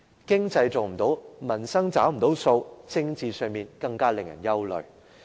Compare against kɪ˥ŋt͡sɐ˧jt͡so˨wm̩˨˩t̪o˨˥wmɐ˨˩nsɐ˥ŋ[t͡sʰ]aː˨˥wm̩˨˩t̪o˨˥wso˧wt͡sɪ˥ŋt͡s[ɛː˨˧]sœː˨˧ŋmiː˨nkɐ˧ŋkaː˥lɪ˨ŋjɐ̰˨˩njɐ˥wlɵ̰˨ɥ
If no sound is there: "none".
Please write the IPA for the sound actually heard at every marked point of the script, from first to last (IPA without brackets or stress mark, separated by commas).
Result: t͡s, iː˨˧